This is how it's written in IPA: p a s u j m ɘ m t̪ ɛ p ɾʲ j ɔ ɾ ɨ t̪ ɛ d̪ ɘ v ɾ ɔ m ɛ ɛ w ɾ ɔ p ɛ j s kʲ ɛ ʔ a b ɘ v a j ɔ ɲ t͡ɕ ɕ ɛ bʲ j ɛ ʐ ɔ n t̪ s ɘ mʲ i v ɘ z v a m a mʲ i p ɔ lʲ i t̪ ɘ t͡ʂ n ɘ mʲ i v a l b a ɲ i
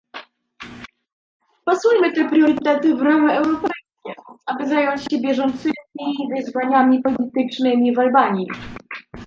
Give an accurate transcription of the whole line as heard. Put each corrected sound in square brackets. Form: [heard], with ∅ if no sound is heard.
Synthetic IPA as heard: p a s u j m ɘ [∅] t̪ ɛ p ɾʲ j ɔ ɾ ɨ t̪ ɛ [t̪] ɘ v ɾ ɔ m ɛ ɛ w ɾ ɔ p ɛ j s kʲ ɛ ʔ a b ɘ [z] a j ɔ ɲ t͡ɕ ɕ ɛ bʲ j ɛ ʐ ɔ n t̪ s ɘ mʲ i v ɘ z v a [ɲ] a mʲ i p ɔ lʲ i t̪ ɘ t͡ʂ n ɘ mʲ i v a l b a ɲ i